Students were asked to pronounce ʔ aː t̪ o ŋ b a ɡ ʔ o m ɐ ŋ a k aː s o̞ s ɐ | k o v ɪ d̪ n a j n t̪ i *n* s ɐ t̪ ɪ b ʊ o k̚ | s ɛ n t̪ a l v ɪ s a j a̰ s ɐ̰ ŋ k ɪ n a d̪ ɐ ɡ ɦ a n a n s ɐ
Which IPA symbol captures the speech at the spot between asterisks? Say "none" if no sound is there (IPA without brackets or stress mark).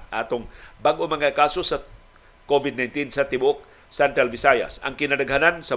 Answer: n